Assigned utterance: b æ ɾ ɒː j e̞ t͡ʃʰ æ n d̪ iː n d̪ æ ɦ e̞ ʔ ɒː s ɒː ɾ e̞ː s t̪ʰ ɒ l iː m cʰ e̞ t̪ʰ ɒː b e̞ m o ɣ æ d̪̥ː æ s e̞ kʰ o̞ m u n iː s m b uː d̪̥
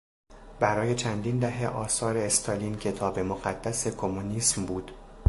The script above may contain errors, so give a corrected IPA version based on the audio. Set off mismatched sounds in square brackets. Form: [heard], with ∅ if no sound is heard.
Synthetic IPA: b æ ɾ ɒː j e̞ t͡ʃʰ æ n d̪ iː n d̪ æ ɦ e̞ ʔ ɒː s ɒː ɾ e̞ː s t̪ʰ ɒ l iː [n] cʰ e̞ t̪ʰ ɒː b e̞ m o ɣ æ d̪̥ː æ s e̞ kʰ o̞ m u n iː s m b uː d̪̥